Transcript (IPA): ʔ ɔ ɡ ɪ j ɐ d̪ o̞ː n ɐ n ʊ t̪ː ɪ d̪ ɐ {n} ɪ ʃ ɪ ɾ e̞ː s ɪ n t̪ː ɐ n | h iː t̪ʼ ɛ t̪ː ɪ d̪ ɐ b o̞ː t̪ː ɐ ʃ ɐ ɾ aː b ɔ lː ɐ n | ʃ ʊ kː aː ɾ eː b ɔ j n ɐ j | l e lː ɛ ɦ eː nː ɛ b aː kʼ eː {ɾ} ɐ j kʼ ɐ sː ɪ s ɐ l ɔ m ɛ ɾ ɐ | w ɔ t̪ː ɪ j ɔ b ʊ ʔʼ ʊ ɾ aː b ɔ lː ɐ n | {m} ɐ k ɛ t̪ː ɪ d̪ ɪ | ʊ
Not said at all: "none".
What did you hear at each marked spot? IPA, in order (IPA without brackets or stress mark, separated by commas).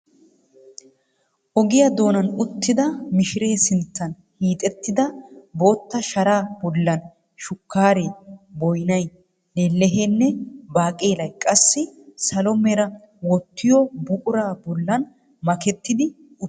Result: m, l, m